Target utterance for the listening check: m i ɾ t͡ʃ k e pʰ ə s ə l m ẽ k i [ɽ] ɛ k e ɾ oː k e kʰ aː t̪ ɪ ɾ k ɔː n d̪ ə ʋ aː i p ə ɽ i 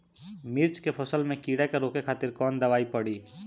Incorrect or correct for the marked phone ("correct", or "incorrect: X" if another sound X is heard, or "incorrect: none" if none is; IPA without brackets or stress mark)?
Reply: correct